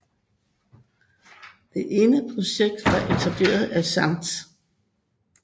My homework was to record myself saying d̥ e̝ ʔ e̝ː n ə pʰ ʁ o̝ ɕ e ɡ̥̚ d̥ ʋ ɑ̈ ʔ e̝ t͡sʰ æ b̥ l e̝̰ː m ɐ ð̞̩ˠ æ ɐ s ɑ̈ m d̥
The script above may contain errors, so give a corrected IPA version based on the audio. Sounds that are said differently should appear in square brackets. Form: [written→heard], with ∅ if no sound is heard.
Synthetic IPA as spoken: d̥ e̝ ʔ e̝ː n ə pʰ ʁ o̝ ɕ e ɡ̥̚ d̥ ʋ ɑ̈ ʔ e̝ t͡sʰ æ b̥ l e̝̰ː [m→∅] ɐ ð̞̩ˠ æ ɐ s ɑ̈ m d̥